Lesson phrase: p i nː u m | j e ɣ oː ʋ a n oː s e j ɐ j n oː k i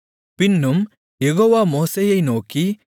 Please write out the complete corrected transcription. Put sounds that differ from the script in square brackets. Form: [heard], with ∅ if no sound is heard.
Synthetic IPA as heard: p i nː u m | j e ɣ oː ʋ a [m] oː s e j ɐ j n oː k i